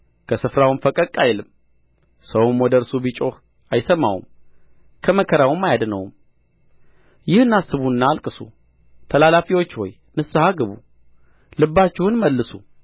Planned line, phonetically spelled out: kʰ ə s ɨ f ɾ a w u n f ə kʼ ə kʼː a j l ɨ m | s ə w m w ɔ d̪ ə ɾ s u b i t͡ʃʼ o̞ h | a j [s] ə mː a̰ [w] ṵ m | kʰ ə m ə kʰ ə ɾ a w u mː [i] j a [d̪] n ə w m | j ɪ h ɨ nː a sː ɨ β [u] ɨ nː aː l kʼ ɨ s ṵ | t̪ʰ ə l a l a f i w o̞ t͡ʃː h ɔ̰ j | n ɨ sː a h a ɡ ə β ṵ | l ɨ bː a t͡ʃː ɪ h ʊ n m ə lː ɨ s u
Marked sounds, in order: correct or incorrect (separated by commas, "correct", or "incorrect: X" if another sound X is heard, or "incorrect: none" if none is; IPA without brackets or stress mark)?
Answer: correct, correct, incorrect: a, correct, correct